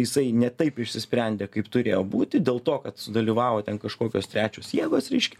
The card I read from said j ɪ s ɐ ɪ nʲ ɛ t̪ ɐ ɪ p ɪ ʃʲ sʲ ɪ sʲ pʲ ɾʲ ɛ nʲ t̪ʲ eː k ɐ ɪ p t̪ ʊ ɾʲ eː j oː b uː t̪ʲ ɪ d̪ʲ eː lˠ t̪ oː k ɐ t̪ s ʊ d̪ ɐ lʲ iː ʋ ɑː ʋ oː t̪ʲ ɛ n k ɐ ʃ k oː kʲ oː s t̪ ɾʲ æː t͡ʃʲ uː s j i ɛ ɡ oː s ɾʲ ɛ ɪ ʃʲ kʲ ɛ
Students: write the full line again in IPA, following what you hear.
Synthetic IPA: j ɪ s ɐ ɪ nʲ ɛ t̪ ɐ ɪ p ɪ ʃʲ sʲ ɪ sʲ pʲ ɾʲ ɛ nʲ d̪ʲ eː k ɐ ɪ p t̪ ʊ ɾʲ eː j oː b uː t̪ʲ ɪ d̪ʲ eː lˠ t̪ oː k ɐ t̪ s ʊ d̪ ɐ lʲ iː ʋ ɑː ʋ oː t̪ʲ ɛ n k ɐ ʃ k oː kʲ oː s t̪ ɾʲ æː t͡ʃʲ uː s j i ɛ ɡ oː s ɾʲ ɛ ɪ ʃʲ kʲ ɛ